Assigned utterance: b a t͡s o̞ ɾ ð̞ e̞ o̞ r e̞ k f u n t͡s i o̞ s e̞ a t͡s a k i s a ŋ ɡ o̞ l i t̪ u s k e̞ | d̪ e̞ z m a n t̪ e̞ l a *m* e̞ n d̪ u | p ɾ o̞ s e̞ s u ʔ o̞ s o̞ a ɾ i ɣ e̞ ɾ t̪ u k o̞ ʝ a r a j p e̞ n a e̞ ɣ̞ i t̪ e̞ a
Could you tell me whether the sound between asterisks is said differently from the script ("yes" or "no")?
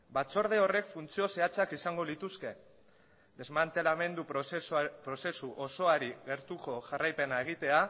no